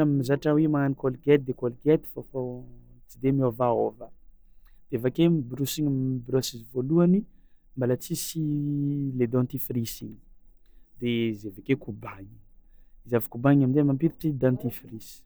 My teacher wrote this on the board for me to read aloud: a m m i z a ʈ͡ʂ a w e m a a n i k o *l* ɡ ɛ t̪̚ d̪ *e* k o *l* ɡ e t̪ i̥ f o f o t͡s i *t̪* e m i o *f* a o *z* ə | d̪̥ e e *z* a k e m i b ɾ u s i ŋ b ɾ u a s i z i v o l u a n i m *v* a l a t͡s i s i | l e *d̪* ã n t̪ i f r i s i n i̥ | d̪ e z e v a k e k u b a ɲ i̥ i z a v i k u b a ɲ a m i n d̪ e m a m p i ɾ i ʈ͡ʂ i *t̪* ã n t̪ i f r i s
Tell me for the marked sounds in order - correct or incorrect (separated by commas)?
correct, correct, correct, incorrect, incorrect, incorrect, incorrect, incorrect, correct, incorrect